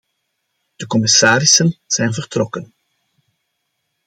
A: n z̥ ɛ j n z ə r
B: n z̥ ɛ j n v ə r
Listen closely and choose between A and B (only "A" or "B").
B